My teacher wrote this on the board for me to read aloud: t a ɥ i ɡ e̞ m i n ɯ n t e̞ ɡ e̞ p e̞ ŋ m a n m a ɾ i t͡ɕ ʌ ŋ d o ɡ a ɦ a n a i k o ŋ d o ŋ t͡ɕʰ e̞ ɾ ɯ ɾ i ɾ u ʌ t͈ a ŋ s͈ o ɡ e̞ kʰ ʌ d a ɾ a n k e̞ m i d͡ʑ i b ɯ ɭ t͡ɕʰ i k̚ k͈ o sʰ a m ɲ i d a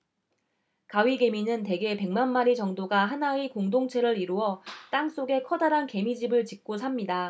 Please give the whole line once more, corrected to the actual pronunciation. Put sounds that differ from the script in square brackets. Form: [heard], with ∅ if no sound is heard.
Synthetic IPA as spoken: [k] a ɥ i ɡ e̞ m i n ɯ n t e̞ ɡ e̞ p e̞ ŋ m a n m a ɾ i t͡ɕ ʌ ŋ d o ɡ a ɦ a n a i k o ŋ d o ŋ t͡ɕʰ e̞ ɾ ɯ ɾ i ɾ u ʌ t͈ a ŋ s͈ o ɡ e̞ kʰ ʌ d a ɾ a n k e̞ m i d͡ʑ i b ɯ ɭ [t͡ɕ] i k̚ k͈ o sʰ a m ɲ i d a